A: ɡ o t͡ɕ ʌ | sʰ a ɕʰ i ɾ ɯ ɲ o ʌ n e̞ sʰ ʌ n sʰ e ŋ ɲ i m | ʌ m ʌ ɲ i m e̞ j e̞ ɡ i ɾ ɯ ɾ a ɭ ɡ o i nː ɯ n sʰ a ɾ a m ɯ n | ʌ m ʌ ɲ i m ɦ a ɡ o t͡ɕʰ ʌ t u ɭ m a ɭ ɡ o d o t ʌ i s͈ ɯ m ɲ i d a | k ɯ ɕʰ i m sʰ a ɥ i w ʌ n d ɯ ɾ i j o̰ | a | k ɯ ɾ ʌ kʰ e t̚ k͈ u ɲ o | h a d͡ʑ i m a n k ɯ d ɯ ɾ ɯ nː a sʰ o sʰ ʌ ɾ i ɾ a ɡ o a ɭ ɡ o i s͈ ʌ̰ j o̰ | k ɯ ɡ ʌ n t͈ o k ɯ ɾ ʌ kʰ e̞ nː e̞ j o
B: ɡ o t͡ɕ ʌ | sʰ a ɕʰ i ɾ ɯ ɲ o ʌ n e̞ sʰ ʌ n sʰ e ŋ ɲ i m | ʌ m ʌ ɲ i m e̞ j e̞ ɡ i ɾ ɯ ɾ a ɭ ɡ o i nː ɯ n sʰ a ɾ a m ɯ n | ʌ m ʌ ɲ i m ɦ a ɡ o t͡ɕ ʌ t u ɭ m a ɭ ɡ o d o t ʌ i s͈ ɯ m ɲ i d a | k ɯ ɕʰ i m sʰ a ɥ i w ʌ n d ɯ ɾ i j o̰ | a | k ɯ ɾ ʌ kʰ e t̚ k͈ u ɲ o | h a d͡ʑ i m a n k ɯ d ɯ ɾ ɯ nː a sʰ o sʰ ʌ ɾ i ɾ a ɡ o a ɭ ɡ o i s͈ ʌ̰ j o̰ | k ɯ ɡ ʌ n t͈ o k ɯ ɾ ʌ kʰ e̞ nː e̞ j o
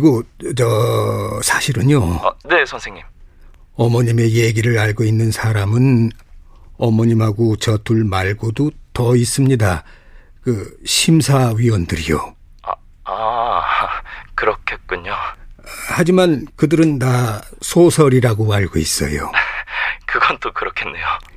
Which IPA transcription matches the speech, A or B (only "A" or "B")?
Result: B